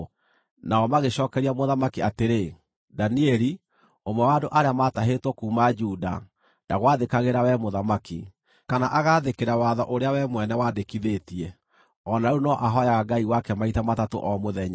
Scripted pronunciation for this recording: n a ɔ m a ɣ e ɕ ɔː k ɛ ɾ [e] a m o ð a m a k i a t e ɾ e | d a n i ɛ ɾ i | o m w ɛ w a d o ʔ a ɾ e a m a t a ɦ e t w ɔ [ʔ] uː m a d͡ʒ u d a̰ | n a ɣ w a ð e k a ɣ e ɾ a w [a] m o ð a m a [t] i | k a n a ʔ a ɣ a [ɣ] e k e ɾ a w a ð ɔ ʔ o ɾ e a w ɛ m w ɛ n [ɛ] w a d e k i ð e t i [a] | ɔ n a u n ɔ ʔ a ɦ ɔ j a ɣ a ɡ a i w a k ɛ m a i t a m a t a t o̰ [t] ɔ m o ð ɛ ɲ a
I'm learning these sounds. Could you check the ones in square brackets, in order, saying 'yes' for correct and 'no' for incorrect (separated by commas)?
no, no, no, no, no, yes, no, no